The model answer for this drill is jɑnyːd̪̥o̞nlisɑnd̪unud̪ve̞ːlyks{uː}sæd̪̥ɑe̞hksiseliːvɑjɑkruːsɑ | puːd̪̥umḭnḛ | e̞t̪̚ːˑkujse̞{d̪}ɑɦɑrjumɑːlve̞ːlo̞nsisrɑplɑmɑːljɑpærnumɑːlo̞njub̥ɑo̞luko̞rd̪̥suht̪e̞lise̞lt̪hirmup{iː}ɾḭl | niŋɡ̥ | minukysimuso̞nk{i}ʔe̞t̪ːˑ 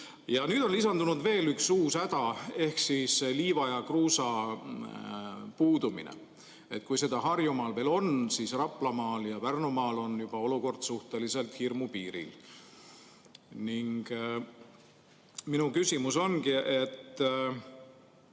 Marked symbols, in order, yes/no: yes, yes, yes, yes

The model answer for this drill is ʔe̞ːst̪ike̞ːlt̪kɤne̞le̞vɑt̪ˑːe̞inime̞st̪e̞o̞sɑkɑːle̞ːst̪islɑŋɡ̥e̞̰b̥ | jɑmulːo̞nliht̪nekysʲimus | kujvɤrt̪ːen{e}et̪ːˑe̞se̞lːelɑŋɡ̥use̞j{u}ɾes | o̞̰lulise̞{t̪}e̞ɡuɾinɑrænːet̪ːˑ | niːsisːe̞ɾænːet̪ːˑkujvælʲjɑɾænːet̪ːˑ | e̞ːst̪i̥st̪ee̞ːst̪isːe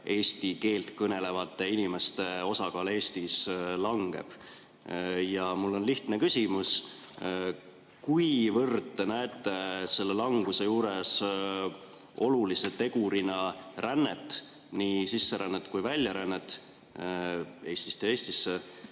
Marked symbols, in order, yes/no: no, no, yes

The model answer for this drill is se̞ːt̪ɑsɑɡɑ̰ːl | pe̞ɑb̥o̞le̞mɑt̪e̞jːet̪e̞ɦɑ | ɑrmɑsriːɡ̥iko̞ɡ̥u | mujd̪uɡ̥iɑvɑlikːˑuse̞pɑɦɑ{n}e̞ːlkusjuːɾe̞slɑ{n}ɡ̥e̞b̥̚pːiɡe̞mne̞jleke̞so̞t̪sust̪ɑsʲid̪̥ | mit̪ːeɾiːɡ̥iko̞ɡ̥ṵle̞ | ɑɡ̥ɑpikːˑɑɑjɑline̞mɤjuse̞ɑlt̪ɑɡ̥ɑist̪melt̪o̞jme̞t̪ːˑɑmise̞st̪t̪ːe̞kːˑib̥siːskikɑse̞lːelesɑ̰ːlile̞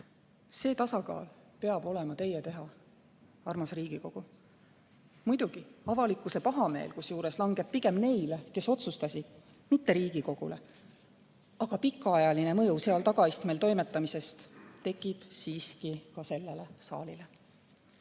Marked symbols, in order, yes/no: no, no

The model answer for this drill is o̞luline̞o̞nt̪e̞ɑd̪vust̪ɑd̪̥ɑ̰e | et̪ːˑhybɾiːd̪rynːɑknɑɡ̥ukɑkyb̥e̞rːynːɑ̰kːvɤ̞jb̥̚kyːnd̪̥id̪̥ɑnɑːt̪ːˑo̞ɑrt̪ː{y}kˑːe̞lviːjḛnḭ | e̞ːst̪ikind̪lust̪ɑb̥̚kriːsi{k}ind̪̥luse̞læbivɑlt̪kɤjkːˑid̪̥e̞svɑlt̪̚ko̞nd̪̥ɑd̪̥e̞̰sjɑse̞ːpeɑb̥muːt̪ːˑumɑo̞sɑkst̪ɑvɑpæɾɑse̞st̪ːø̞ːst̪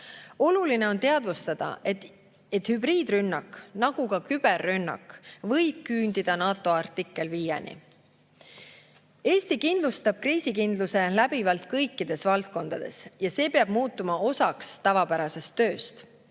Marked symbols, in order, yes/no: no, yes

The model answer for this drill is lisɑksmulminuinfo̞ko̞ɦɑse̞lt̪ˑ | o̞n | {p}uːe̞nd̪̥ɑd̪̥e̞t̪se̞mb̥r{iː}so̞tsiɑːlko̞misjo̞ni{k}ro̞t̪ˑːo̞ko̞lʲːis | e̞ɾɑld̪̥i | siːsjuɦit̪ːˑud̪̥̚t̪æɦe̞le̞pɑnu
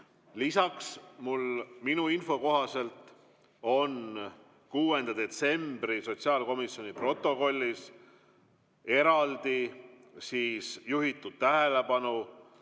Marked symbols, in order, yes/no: no, no, no

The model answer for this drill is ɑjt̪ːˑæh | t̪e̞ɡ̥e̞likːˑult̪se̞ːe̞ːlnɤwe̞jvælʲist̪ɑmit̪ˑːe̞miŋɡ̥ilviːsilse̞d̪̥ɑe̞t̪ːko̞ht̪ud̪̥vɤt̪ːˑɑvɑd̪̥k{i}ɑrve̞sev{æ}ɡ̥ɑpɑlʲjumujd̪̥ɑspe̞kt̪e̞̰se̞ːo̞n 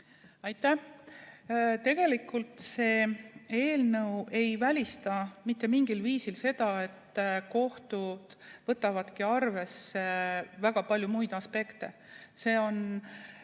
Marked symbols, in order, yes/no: yes, yes

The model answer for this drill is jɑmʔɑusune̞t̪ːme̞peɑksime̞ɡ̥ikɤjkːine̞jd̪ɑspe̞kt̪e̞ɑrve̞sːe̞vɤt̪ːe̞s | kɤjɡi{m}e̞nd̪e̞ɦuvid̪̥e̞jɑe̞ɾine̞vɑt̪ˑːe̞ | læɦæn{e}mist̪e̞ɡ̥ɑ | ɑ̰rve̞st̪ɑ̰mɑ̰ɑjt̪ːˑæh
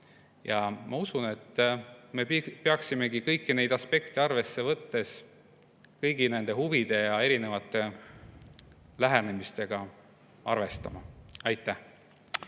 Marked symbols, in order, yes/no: no, yes

